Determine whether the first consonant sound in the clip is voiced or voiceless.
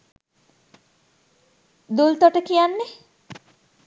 voiced